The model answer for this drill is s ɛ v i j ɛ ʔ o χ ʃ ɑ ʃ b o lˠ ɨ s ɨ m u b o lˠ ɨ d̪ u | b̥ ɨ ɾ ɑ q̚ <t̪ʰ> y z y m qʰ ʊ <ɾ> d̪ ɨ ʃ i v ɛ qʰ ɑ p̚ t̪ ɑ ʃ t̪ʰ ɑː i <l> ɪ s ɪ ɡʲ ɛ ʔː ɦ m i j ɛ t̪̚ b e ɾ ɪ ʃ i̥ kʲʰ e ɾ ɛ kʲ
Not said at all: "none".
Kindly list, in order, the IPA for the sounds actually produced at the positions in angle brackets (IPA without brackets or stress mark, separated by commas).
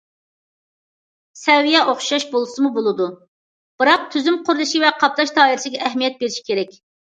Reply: t̪ʰ, ɾ, ɾ